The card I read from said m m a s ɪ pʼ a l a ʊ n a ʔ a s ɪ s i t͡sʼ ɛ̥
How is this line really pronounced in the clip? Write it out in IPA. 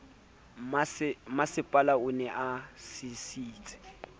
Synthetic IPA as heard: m m a s ɪ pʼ a l a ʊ n ɛ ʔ a s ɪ s iː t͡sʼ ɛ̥